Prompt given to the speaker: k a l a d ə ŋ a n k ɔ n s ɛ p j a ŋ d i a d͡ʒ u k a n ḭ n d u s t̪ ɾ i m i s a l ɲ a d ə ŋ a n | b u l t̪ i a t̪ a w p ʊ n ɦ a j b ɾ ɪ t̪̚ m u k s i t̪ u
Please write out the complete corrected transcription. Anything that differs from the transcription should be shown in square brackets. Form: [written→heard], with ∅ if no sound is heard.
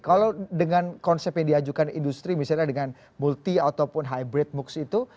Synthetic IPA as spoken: k a l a d ə ŋ a n k ɔ n s ɛ p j a ŋ d i a d͡ʒ u k a n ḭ n d u s t̪ ɾ i m i s a l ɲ a d ə ŋ a n | [b→m] u l t̪ i a t̪ a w p ʊ n ɦ a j b ɾ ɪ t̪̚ m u k s i t̪ u